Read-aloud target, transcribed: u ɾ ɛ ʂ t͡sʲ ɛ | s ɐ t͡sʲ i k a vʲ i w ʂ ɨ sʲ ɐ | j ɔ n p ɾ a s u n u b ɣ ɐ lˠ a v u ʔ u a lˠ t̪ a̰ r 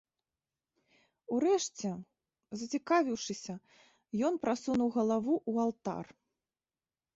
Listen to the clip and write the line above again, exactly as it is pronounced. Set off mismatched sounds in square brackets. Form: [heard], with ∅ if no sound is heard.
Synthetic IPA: u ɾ ɛ ʂ t͡sʲ ɛ | [z] ɐ t͡sʲ i k a vʲ i w ʂ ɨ sʲ ɐ | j ɔ n p ɾ a s u n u [w] ɣ ɐ lˠ a v u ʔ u a lˠ t̪ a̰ r